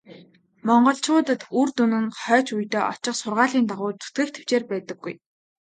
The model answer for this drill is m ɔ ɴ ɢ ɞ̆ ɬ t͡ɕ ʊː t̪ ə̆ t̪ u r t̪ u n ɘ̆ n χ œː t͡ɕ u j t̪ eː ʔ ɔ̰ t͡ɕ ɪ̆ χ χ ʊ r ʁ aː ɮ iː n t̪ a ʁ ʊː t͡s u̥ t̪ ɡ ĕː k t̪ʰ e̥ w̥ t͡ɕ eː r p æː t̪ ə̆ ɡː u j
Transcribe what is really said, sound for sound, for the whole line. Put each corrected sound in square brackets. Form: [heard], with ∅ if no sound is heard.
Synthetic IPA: m ɔ ɴ ɢ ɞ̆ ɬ t͡ɕ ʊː t̪ ə̆ t̪ u r t̪ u n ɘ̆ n χ œː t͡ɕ u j t̪ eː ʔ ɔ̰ t͡ɕ ɪ̆ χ [s] ʊ r ʁ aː ɮ iː n t̪ a ʁ ʊː t͡s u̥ t̪ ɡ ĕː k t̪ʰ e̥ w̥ t͡ɕ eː r p æː t̪ ə̆ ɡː u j